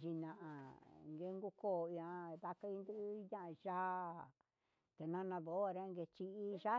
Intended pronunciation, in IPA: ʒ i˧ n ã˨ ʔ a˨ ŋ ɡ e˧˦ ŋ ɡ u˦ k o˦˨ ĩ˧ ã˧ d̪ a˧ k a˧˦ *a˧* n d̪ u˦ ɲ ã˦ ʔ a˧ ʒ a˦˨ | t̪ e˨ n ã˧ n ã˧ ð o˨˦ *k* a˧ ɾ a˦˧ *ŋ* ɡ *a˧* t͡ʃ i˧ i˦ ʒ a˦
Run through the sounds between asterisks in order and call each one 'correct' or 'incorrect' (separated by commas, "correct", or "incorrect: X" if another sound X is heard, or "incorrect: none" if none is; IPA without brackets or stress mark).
incorrect: i˧, incorrect: none, correct, incorrect: e˧